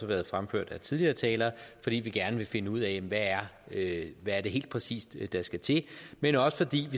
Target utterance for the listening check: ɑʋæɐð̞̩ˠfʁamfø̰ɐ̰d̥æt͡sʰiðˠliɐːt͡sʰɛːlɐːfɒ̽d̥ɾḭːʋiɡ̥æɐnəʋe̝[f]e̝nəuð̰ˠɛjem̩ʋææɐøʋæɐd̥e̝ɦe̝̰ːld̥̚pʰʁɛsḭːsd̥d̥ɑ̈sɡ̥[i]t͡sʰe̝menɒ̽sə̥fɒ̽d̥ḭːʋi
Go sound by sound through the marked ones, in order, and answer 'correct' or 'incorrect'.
correct, incorrect: æ

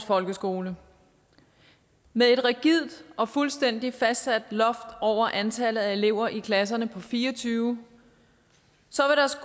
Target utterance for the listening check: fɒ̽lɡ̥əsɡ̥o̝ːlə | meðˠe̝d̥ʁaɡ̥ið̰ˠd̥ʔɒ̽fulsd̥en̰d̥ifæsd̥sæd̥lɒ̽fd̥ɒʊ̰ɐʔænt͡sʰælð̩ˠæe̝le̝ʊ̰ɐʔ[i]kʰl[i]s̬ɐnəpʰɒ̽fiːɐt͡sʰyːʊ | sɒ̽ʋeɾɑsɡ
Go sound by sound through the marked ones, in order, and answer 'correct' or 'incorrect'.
correct, incorrect: æ

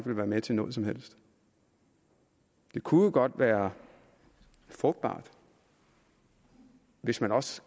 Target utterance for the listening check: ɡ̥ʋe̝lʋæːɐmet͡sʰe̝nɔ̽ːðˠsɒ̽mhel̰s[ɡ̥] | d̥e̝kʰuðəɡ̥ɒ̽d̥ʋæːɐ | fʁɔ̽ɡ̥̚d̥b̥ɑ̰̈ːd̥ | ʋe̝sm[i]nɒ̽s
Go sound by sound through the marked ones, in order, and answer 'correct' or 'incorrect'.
incorrect: d̥, incorrect: æ

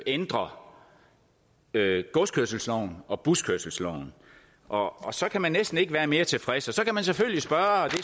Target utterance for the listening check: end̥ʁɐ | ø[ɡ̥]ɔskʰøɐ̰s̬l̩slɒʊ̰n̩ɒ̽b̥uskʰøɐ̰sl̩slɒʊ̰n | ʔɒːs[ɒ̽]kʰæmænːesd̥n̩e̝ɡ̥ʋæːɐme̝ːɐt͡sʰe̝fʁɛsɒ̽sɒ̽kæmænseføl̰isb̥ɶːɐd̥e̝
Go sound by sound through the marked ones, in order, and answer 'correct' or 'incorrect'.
correct, correct

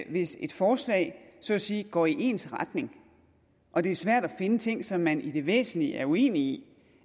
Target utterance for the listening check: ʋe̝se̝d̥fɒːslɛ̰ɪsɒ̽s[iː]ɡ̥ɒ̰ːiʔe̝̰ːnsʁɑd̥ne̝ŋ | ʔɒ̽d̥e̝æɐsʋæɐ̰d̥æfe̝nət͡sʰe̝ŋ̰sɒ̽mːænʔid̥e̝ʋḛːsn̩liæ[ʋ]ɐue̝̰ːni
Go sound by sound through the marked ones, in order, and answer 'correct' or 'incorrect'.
correct, incorrect: none

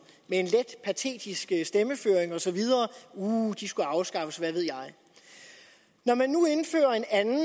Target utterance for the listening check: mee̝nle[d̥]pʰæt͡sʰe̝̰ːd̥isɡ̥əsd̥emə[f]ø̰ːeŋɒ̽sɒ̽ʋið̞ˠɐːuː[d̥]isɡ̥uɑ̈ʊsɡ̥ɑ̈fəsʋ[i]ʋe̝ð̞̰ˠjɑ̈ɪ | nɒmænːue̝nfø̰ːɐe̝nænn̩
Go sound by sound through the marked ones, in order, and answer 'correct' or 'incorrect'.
correct, correct, correct, incorrect: æ

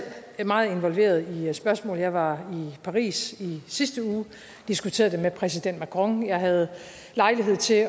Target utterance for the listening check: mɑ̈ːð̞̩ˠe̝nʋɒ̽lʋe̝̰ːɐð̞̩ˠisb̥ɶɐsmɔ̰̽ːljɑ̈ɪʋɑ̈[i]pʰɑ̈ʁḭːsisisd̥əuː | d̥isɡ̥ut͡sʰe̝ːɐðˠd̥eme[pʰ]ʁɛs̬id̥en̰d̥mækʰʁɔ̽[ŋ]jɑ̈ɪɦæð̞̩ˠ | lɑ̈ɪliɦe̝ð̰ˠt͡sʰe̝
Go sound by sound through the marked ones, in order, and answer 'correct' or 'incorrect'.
correct, correct, correct

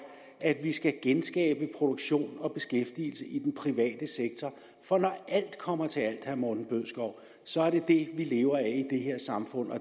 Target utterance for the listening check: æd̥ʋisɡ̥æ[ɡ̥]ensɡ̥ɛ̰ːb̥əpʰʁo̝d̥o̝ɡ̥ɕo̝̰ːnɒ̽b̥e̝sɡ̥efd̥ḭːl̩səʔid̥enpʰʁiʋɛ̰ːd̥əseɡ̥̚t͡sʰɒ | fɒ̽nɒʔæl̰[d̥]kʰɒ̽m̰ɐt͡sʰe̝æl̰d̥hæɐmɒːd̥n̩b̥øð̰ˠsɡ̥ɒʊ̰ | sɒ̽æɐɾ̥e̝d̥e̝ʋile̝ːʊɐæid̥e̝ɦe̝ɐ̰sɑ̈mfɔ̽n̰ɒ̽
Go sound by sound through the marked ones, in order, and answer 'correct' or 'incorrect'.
correct, correct

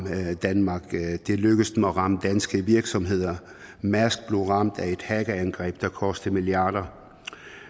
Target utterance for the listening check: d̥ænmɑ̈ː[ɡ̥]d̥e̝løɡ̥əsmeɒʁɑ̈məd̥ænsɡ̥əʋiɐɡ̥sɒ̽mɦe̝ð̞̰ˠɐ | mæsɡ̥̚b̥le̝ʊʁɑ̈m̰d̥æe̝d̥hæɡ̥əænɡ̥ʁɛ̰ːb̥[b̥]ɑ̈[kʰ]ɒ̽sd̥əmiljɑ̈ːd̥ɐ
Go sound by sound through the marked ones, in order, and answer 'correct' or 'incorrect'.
correct, incorrect: d̥, correct

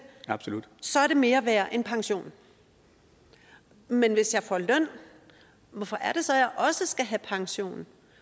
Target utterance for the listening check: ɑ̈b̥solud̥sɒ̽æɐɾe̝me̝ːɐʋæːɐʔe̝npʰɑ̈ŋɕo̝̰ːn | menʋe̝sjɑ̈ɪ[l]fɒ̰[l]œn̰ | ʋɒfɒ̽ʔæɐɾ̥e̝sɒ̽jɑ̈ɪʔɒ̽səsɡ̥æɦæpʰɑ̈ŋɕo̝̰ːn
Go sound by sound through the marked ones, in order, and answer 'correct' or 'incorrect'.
incorrect: none, correct

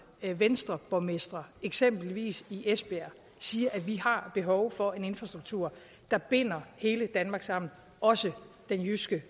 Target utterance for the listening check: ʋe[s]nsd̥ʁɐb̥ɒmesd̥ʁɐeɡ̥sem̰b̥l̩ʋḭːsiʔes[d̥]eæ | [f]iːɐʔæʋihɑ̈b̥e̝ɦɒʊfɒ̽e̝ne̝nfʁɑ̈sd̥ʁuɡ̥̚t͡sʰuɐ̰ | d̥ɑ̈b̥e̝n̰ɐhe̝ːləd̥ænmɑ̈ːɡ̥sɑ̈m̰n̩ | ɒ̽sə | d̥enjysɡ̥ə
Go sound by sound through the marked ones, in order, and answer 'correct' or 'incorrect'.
incorrect: none, incorrect: b̥, incorrect: s

